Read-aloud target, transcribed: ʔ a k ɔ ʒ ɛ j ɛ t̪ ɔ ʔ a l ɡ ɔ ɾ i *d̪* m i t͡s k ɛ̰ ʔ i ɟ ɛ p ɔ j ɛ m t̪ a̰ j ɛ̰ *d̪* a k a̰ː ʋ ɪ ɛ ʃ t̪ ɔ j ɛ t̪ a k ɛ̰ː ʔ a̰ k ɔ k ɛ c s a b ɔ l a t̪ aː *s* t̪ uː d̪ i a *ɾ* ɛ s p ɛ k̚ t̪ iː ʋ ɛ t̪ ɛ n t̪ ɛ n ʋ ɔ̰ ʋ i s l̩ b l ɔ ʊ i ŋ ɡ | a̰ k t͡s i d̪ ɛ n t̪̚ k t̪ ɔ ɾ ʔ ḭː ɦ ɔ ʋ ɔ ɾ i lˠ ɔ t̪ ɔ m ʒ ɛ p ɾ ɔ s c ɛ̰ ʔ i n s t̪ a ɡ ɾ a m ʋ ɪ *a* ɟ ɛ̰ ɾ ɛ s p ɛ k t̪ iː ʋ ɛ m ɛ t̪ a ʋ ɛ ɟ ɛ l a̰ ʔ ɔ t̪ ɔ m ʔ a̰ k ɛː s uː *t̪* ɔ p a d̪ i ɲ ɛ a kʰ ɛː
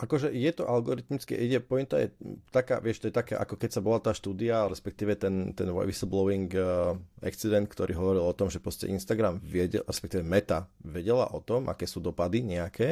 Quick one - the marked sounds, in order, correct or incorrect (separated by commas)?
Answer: incorrect, incorrect, incorrect, correct, incorrect, incorrect